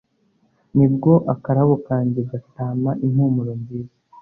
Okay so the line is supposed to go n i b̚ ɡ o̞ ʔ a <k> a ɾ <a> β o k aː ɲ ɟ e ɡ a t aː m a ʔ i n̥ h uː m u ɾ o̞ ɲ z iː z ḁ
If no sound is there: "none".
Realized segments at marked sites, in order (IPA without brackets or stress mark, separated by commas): k, a